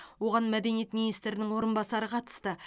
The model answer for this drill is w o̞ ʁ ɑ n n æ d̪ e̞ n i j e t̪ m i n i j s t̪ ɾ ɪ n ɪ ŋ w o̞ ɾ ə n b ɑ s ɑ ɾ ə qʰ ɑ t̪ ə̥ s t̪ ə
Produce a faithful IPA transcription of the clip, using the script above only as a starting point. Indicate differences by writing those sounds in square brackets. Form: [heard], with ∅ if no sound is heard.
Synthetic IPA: w o̞ ʁ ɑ n [m] æ d̪ e̞ n i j e t̪ m i n i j s t̪ ɾ ɪ n ɪ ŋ w o̞ ɾ ə n b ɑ s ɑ ɾ ə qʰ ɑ t̪ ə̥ s t̪ ə